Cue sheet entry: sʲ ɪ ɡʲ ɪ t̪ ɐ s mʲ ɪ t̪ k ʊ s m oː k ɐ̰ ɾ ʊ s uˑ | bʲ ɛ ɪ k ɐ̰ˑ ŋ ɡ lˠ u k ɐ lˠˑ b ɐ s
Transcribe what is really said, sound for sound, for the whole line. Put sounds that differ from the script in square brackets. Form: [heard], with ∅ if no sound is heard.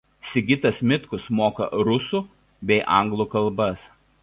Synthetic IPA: sʲ ɪ ɡʲ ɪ t̪ ɐ s mʲ ɪ t̪ k ʊ s m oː k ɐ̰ ɾ ʊ s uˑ | bʲ ɛ ɪ [ʔ] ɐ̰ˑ ŋ ɡ lˠ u k ɐ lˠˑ b ɐ s